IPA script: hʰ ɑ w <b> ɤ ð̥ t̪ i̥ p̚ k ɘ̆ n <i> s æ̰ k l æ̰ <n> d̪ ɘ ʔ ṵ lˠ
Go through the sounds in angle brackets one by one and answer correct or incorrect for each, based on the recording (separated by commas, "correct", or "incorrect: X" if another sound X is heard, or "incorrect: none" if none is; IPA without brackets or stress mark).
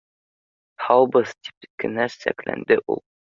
correct, incorrect: æ, correct